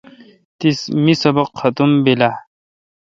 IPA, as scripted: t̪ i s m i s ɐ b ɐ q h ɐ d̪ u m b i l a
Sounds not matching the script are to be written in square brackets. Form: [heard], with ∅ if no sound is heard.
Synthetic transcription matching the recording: t̪ i s m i s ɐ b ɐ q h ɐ [t̪] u m b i l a